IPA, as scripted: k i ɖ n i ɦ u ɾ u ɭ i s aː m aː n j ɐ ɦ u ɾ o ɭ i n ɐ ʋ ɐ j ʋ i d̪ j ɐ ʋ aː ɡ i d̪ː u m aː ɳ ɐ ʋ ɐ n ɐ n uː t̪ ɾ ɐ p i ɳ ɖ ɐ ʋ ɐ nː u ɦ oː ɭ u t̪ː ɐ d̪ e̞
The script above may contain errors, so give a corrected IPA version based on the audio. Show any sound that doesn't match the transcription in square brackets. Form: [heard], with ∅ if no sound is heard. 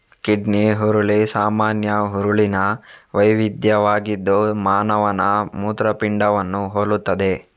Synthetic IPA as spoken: k i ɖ n i ɦ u ɾ u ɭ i s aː m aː n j ɐ ɦ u ɾ [u] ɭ i n ɐ ʋ ɐ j ʋ i d̪ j ɐ ʋ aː ɡ i d̪ː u m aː [n] ɐ ʋ ɐ n ɐ [m] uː t̪ ɾ ɐ p i ɳ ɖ ɐ ʋ ɐ nː u ɦ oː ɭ u t̪ː ɐ d̪ e̞